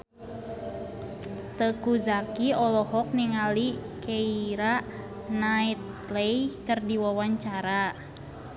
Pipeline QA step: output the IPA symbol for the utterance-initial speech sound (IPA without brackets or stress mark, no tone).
t̪